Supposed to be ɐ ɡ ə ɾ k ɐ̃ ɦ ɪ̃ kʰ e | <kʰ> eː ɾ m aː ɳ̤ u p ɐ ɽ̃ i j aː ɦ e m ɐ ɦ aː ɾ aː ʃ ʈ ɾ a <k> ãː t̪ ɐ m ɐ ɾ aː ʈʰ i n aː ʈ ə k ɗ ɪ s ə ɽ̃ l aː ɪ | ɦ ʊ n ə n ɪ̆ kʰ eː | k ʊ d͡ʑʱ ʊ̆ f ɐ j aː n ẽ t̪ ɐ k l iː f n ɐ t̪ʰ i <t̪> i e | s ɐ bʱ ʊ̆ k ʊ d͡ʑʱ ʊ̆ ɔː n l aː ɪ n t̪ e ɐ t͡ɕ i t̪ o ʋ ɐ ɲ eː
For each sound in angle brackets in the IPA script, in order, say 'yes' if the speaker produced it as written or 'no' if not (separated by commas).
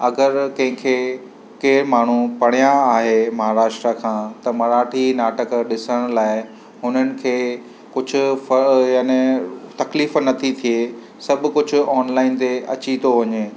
no, no, no